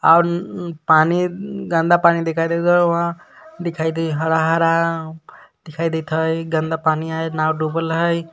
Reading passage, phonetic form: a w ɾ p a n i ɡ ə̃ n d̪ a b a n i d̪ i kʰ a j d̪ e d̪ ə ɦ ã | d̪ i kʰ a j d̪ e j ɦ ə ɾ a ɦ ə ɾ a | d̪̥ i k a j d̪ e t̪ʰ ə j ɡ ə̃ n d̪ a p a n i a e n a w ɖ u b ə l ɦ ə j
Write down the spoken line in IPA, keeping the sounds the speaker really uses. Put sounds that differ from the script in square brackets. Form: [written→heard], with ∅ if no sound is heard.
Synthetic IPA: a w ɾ p a n i ɡ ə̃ n d̪ a [b→p] a n i d̪ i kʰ a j d̪ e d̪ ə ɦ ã | d̪ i kʰ a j d̪ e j ɦ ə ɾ a ɦ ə ɾ a | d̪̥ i [k→kʰ] a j d̪ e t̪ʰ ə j ɡ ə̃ n d̪ a p a n i a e n a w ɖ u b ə l ɦ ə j